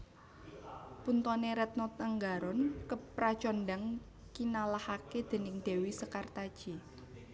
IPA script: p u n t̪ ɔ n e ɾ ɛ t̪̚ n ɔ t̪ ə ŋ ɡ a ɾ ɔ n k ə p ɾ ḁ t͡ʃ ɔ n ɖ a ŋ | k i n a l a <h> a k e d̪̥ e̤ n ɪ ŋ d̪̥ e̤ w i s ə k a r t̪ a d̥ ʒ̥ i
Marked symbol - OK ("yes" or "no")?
yes